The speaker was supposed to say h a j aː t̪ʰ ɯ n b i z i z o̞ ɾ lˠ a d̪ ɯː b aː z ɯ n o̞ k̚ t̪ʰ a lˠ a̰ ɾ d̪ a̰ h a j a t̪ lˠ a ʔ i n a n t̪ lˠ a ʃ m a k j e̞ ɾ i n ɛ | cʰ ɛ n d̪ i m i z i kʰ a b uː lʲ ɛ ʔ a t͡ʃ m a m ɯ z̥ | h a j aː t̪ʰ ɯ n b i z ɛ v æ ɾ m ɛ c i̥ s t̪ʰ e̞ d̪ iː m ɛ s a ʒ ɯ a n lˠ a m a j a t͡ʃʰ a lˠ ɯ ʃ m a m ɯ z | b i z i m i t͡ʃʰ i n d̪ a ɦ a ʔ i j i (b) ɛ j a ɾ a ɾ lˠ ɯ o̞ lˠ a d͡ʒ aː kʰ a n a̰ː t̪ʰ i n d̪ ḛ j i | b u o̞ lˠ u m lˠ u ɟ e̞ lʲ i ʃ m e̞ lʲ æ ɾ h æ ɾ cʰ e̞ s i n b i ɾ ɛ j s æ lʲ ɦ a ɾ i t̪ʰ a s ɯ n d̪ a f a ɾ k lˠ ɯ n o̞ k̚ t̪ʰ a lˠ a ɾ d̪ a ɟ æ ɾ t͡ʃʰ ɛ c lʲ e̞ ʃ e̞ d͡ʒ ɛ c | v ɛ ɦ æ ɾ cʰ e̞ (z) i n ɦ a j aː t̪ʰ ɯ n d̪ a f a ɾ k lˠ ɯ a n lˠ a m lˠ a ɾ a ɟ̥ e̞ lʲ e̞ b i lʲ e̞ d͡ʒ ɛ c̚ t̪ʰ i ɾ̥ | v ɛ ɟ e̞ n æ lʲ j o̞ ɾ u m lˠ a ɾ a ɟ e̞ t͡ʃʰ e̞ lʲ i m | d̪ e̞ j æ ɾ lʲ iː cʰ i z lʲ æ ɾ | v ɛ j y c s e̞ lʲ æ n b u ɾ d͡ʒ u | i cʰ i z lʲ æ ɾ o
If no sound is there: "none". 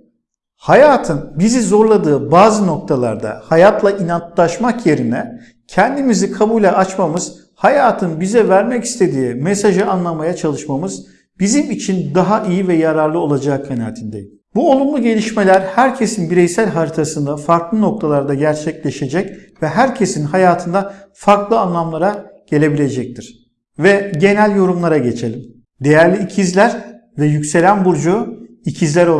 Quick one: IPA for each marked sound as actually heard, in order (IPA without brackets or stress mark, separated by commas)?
v, s